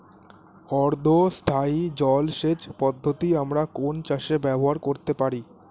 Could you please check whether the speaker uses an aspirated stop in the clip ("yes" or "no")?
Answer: yes